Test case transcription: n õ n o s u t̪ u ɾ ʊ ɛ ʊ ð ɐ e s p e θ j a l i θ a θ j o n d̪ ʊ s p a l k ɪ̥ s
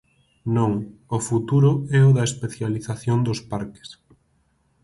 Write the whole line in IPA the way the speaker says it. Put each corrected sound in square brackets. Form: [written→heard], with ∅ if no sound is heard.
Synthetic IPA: n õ [n→ŋ] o [s→f] u t̪ u ɾ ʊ ɛ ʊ ð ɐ e s p e θ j a l i θ a θ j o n d̪ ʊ s p a [l→ɾ] k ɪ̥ s